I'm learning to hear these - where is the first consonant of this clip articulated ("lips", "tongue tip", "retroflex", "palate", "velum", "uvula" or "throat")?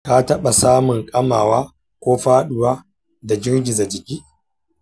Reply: velum